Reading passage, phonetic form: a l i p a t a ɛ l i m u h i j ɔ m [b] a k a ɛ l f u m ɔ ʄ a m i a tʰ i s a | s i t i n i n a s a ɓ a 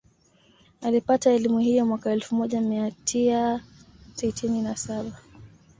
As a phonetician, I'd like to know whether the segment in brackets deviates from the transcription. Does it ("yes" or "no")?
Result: yes